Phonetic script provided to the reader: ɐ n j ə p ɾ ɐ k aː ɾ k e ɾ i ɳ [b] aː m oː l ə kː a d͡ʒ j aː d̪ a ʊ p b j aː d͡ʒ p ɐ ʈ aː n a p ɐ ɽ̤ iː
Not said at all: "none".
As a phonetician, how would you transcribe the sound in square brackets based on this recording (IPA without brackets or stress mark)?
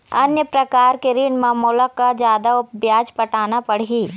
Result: m